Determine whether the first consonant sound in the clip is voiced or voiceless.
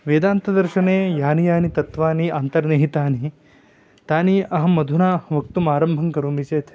voiced